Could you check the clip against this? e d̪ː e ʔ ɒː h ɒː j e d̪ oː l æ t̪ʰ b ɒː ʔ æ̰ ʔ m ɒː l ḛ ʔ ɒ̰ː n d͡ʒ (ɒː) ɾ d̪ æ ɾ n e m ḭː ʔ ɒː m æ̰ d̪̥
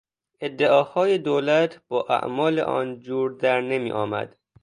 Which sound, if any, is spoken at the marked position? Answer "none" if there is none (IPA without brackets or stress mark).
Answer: uː